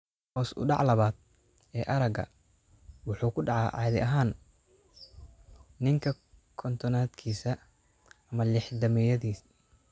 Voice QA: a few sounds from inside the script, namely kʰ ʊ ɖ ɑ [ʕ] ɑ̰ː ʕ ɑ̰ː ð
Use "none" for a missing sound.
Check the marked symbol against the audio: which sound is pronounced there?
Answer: ʕ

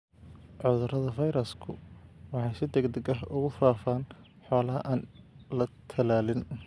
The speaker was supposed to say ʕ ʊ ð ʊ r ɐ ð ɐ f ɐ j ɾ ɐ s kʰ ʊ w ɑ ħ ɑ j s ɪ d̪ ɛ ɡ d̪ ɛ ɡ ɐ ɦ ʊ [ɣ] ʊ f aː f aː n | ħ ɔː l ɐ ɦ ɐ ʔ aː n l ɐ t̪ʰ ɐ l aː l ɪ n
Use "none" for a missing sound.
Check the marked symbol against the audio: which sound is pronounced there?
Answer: ɣ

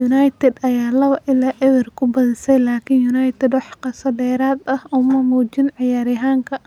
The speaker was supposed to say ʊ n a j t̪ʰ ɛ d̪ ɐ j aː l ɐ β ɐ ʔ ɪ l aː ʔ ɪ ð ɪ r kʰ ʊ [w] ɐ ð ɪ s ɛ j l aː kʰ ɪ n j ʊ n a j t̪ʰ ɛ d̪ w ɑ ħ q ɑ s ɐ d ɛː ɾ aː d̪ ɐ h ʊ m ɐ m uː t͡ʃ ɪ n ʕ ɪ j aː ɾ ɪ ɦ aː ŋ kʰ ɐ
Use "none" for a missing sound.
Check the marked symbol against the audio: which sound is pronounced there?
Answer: b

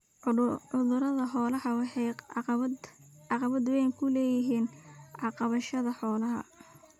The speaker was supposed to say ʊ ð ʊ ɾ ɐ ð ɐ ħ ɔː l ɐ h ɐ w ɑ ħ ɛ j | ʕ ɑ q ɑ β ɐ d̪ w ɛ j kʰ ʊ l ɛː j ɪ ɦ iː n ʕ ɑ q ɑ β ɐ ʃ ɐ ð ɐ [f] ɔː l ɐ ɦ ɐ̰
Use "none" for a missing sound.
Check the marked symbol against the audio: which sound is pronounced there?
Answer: ħ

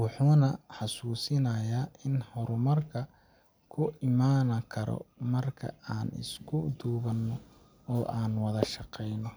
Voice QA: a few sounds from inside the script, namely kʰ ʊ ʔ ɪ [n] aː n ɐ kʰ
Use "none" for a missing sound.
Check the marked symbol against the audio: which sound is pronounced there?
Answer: m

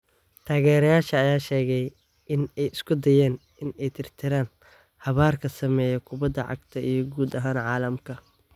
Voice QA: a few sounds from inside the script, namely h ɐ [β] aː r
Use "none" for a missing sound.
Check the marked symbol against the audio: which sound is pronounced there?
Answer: β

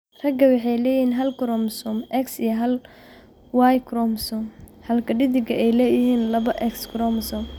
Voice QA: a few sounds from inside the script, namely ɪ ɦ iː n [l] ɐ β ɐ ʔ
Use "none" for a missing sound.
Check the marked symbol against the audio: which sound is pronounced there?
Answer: l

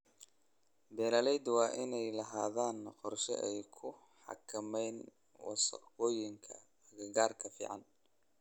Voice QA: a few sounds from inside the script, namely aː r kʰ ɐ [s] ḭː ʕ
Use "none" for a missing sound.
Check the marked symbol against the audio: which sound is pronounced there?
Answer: f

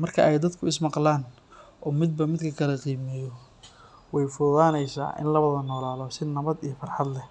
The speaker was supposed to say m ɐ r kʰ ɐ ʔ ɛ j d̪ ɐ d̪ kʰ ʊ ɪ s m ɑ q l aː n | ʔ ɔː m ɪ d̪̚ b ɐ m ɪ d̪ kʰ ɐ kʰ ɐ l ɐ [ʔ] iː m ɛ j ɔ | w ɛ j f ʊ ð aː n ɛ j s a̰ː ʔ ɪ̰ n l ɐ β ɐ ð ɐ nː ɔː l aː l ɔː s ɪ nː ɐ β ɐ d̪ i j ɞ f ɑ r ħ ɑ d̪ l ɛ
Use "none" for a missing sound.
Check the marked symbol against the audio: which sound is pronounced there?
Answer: q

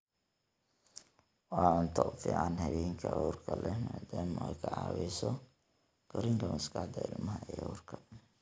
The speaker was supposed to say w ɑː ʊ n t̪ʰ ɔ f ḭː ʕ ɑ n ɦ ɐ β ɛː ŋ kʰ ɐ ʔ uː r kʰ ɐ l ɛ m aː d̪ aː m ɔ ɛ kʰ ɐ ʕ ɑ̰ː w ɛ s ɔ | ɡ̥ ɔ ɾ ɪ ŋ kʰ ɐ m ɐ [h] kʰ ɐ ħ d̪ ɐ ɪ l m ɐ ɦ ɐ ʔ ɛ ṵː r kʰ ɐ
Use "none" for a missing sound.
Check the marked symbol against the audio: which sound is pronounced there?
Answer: s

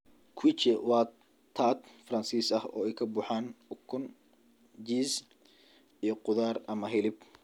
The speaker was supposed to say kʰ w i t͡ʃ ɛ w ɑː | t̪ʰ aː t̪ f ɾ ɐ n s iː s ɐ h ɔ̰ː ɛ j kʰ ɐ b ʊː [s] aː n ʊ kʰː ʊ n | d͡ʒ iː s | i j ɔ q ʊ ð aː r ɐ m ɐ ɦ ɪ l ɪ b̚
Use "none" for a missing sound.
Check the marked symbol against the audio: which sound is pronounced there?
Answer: ħ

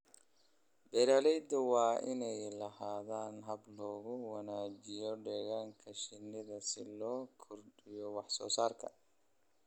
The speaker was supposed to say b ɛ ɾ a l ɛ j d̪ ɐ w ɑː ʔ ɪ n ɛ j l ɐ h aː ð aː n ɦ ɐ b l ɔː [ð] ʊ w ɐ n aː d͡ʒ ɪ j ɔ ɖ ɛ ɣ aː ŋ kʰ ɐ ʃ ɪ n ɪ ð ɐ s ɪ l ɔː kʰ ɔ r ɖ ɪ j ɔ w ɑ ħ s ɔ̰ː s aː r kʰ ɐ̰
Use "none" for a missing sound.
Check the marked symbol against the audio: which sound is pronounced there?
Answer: ɣ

